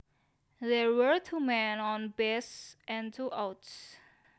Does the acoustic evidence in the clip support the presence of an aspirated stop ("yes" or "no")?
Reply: yes